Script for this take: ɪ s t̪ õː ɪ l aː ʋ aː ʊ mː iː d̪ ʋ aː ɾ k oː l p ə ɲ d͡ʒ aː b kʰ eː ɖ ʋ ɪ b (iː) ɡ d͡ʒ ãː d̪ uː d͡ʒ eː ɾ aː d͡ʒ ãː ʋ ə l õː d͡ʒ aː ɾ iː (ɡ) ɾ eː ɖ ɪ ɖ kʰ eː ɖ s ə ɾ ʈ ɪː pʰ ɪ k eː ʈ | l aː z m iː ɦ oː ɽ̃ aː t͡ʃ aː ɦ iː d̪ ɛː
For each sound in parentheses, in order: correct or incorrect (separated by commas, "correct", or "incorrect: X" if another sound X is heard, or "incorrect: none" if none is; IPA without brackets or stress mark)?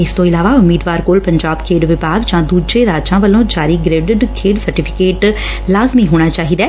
incorrect: aː, correct